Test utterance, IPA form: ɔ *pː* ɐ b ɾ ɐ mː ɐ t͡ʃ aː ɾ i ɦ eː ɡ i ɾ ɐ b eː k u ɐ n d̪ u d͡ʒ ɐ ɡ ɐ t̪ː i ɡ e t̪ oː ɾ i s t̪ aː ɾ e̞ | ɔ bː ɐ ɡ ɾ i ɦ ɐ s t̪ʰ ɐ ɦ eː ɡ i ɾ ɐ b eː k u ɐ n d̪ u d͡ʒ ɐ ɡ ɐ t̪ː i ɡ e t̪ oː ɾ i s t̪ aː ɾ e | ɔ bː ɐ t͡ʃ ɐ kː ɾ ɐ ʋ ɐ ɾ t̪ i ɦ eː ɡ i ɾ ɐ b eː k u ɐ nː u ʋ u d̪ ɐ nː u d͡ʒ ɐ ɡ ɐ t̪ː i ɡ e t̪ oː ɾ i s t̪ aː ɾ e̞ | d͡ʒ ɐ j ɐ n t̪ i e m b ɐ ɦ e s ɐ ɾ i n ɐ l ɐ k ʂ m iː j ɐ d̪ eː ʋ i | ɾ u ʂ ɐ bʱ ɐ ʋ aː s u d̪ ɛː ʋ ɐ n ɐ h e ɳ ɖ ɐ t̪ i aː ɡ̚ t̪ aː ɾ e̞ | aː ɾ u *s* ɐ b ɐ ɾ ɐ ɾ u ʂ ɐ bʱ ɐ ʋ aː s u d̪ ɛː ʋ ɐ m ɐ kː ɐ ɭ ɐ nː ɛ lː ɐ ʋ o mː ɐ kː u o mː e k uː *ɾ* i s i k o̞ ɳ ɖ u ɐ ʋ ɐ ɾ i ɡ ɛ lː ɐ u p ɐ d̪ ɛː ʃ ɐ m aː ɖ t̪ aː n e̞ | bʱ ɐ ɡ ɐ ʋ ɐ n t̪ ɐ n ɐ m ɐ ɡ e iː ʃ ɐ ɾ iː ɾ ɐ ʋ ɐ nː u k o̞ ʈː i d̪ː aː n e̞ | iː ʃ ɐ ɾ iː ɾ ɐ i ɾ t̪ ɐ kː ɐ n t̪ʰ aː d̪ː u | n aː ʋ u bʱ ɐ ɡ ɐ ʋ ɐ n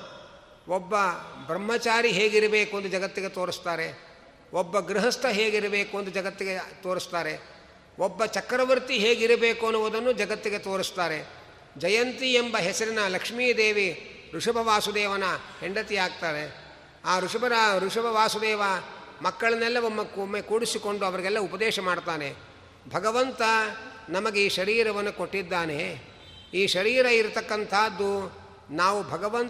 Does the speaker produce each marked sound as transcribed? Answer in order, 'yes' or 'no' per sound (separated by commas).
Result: no, no, no